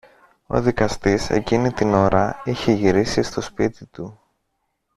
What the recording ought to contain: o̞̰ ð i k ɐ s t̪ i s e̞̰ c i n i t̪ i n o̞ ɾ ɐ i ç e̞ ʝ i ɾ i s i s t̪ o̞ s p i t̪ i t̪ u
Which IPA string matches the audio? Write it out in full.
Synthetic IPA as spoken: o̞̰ ð i k ɐ s t̪ i s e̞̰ c i n i t̪ i n o̞ ɾ ɐ i ç e̞ ʝ i ɾ i s i s t̪ o̞ s p i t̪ i t̪ u